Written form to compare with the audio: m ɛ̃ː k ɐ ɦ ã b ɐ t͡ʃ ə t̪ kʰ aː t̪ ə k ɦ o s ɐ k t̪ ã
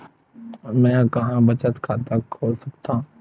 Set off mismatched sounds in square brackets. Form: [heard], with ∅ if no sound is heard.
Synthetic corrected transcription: m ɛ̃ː k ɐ ɦ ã b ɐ t͡ʃ ə t̪ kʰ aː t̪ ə k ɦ o s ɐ k t̪ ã

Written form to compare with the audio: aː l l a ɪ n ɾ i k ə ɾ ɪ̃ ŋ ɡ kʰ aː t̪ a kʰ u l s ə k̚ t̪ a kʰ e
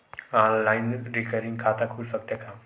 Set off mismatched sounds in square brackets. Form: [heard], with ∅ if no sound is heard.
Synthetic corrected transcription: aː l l a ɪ n ɾ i k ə ɾ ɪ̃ ŋ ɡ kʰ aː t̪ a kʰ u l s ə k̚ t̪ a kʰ [a]

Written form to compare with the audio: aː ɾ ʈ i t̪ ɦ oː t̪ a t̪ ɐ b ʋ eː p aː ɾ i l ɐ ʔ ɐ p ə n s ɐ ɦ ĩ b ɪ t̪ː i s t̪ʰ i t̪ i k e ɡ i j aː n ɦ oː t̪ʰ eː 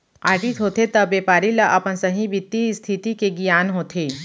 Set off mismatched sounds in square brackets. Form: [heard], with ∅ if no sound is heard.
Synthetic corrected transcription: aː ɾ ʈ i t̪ ɦ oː t̪ [e] t̪ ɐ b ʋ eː p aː ɾ i l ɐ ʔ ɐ p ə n s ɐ ɦ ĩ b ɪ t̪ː i s t̪ʰ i t̪ i k e ɡ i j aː n ɦ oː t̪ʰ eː

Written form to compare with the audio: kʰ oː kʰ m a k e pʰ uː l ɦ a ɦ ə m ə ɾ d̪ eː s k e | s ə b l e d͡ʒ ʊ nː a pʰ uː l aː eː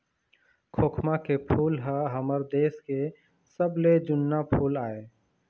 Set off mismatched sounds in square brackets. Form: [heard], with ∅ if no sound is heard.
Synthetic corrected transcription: kʰ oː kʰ m a k e pʰ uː l ɦ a ɦ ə m ə ɾ d̪ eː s k e | s ə b l e d͡ʒ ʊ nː a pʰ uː l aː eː

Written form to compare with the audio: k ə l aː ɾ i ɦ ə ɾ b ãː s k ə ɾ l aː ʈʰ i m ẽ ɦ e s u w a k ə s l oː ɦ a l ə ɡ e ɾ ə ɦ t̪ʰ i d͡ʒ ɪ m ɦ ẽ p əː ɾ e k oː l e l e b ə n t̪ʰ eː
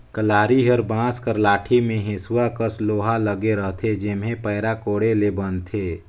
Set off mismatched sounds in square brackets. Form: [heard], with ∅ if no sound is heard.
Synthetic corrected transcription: k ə l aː ɾ i ɦ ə ɾ b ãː s k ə ɾ l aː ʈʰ i m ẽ ɦ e s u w a k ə s l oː ɦ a l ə ɡ e ɾ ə ɦ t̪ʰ [e] d͡ʒ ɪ m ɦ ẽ p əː ɾ [a] k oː [ɽ] e l e b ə n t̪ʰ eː

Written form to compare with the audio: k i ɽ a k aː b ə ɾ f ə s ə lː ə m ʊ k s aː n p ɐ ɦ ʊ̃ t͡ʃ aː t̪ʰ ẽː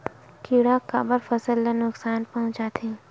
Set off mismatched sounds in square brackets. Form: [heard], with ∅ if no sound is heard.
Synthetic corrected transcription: k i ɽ a k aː b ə ɾ f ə s ə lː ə [n] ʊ k s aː n p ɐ ɦ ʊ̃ t͡ʃ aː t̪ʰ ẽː

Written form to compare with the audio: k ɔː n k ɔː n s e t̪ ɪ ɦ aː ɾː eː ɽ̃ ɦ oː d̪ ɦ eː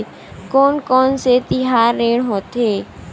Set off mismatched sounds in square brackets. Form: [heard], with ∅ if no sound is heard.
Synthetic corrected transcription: k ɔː n k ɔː n s e t̪ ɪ ɦ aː ɾː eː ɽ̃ ɦ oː [t̪] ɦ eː

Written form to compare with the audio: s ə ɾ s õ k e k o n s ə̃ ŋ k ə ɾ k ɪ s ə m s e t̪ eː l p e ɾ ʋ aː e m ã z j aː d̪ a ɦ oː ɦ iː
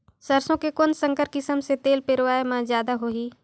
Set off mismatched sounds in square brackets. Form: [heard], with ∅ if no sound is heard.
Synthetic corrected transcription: s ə ɾ s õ k e k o n s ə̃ ŋ k ə ɾ k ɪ s ə m s e t̪ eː l p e ɾ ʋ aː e m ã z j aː d̪ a ɦ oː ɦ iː

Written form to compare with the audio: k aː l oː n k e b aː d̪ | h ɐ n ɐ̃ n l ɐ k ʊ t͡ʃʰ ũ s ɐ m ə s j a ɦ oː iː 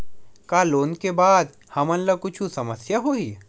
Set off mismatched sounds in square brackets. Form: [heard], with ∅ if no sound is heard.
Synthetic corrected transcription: k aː l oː n k e b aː d̪ | h ɐ [m] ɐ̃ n l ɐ k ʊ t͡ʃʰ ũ s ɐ m ə s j a ɦ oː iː

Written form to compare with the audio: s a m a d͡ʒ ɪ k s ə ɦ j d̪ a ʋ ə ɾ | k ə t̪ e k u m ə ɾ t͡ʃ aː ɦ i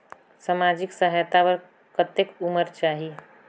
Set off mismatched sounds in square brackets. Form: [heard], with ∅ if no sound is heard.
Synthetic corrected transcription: s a m a d͡ʒ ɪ k s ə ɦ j [t̪] a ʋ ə ɾ | k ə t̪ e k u m ə ɾ t͡ʃ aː ɦ i

